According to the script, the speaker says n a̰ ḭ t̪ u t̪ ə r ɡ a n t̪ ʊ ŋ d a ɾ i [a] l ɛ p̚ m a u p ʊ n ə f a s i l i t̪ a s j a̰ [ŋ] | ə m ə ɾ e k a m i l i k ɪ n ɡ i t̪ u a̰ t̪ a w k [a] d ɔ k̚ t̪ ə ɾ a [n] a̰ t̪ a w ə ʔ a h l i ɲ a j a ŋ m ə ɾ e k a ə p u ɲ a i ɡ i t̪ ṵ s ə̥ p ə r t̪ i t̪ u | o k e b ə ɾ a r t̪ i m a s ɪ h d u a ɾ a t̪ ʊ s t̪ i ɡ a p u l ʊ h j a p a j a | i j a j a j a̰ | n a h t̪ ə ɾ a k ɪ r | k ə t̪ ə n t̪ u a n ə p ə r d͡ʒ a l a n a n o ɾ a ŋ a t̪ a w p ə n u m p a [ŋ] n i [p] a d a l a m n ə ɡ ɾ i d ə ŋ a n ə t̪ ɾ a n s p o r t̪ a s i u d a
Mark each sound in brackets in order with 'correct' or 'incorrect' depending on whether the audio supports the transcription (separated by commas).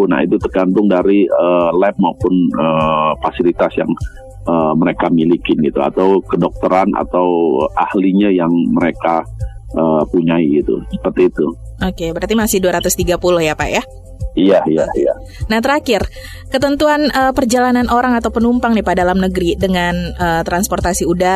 incorrect, correct, incorrect, correct, correct, correct